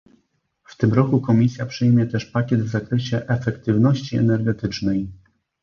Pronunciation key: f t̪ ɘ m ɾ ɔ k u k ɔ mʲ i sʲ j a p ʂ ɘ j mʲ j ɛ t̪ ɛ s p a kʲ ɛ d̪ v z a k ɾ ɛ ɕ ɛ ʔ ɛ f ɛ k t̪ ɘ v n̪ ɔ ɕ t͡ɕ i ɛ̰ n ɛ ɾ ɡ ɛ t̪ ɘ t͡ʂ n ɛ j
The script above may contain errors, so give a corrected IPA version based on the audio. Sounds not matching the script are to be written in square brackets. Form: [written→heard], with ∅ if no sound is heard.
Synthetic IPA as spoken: f t̪ ɘ m ɾ ɔ k u k ɔ mʲ i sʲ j a p ʂ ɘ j mʲ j ɛ t̪ ɛ [s→ʂ] p a kʲ ɛ d̪ v z a k ɾ ɛ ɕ ɛ ʔ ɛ f ɛ k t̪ ɘ v n̪ ɔ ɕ t͡ɕ i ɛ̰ n ɛ ɾ ɡ ɛ t̪ ɘ t͡ʂ n ɛ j